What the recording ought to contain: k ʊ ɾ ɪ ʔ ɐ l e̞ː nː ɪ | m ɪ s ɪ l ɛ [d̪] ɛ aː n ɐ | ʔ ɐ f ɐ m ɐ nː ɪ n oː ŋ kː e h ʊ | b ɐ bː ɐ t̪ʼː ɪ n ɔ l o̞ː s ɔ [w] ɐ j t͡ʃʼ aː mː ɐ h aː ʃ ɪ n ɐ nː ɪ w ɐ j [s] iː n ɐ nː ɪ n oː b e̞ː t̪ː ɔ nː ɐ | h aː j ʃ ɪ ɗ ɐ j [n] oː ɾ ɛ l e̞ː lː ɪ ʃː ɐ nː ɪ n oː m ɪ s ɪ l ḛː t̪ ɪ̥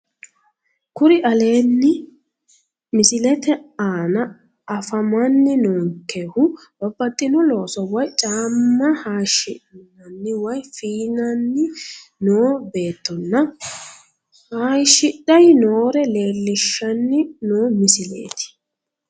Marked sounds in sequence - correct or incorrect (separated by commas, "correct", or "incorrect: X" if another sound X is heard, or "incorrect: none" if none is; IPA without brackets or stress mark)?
incorrect: t̪, correct, incorrect: f, correct